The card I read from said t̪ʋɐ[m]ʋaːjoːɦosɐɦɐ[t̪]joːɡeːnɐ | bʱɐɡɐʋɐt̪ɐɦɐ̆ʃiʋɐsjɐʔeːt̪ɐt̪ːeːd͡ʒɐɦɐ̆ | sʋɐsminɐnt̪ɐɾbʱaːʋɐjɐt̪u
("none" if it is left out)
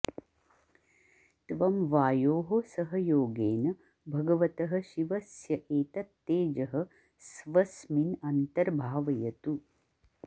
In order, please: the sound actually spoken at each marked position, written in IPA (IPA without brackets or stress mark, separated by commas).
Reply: m, none